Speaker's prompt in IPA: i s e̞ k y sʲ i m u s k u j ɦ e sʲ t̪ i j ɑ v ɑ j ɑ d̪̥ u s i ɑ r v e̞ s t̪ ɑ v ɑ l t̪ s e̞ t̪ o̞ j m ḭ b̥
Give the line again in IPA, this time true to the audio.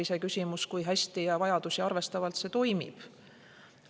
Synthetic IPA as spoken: i s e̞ k y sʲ i m u s k u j ɦ æ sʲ t̪ i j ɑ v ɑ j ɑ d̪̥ u s i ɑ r v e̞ s t̪ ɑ v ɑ l t̪ s e̞ t̪ o̞ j m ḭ b̥